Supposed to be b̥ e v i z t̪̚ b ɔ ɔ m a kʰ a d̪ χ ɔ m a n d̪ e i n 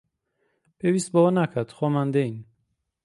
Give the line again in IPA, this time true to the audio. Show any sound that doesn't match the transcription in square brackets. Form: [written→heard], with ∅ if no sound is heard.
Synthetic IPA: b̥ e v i [z→s] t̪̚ b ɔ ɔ [m→n] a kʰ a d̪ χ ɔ m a n d̪ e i n